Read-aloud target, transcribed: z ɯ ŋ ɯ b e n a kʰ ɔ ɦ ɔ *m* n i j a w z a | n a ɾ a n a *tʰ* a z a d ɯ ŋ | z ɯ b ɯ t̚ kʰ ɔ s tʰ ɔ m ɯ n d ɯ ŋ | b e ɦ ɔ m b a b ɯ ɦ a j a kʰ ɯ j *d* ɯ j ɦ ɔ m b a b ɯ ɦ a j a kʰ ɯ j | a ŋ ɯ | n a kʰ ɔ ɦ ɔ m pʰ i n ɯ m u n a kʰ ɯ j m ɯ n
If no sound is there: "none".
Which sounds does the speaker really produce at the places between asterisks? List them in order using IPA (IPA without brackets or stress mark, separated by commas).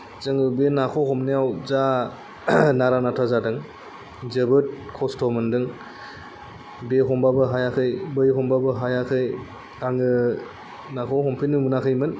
m, tʰ, b